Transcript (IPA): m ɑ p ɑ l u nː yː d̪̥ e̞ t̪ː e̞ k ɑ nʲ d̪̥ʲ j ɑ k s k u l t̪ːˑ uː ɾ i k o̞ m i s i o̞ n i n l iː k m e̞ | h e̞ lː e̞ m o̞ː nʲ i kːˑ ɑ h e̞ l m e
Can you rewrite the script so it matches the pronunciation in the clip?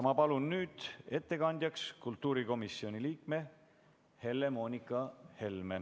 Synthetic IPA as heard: m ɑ p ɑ l u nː yː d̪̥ e̞ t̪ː e̞ k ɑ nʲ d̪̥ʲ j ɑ k s k u l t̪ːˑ uː ɾ i k o̞ m i s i o̞ n i l iː k m e̞ | h e̞ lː e̞ m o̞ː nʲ i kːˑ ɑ h e̞ l m e